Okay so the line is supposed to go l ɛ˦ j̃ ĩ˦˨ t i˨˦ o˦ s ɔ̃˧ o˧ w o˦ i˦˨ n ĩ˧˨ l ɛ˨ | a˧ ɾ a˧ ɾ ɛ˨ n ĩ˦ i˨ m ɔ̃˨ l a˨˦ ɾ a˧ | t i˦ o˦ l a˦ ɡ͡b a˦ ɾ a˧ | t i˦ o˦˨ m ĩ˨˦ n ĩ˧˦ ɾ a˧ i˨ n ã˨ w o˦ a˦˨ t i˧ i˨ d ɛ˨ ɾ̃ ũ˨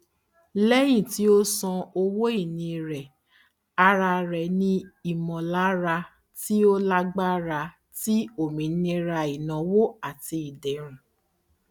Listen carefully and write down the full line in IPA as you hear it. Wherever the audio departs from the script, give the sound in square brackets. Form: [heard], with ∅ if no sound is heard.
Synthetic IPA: l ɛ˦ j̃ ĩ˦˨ t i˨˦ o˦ s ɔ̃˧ o˧ w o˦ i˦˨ n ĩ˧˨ [ɾ] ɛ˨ | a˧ ɾ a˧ ɾ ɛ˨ n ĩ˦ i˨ m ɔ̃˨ l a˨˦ ɾ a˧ | t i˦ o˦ l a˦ ɡ͡b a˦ ɾ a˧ | t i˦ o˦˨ m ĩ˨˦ n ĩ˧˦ ɾ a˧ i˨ n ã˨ w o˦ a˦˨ t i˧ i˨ d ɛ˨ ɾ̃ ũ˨